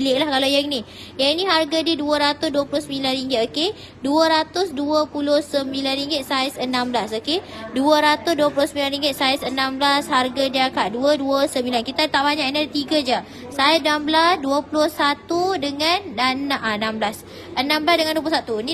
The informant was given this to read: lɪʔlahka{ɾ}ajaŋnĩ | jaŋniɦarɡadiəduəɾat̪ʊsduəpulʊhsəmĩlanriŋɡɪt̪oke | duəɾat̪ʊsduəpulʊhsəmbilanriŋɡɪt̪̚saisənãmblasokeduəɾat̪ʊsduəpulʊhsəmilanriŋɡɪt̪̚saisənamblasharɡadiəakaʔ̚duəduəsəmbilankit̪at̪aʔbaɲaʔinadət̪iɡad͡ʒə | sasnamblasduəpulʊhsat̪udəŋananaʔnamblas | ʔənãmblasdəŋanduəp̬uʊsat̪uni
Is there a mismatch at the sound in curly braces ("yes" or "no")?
yes